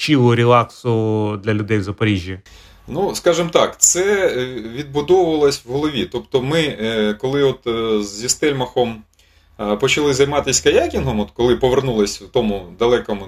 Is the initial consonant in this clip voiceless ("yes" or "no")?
yes